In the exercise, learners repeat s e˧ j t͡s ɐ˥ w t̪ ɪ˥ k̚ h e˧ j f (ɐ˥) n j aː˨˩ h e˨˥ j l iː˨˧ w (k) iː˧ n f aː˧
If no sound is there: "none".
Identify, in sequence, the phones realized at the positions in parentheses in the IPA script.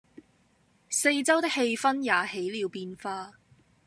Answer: ɐ˥, p

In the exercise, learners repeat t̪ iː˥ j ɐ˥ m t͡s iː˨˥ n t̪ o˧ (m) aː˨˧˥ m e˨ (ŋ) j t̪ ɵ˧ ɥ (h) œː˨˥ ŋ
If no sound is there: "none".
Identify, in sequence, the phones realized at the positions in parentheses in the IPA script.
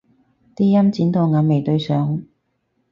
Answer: ŋ, none, s

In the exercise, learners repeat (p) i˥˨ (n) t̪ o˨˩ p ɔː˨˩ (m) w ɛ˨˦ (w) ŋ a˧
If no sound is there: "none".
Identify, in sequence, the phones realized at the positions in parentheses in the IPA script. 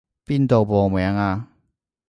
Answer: p, n, m, none

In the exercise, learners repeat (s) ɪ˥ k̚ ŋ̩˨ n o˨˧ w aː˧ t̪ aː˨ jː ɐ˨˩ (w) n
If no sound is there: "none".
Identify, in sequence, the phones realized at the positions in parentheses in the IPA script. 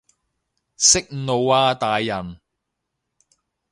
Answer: s, none

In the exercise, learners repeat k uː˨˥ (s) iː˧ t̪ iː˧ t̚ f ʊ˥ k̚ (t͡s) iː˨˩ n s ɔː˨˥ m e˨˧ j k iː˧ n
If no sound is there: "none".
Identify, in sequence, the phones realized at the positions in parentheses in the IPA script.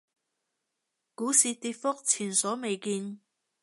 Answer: s, t͡sʰ

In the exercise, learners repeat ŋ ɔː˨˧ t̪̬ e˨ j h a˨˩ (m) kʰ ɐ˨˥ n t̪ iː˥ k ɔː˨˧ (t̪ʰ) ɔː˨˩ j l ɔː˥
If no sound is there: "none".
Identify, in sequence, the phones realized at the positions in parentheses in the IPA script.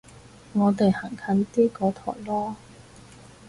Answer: ŋ, t̪ʰ

